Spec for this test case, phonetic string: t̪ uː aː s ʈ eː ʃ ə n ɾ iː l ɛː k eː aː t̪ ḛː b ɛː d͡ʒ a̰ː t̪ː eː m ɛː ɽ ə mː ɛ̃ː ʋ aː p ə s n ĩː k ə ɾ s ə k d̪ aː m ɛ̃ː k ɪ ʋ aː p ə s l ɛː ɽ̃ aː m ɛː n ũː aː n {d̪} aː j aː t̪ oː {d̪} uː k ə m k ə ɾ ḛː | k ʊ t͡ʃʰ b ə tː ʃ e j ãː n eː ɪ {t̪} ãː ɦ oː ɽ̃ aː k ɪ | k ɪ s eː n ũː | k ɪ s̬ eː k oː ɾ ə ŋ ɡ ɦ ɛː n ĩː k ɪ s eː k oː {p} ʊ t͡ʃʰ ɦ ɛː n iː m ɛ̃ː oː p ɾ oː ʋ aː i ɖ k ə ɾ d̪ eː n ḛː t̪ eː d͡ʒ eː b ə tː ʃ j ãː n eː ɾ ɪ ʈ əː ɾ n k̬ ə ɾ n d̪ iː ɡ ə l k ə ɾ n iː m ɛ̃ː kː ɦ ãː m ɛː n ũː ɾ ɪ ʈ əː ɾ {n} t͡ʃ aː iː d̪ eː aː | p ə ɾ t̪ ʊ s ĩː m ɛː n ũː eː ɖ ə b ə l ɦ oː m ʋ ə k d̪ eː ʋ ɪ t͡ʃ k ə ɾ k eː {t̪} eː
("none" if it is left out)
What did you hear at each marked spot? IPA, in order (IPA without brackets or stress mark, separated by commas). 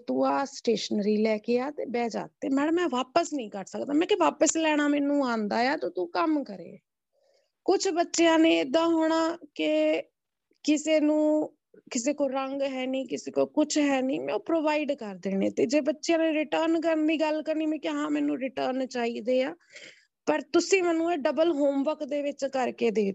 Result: d̪, t̪, d̪, k, n, d̪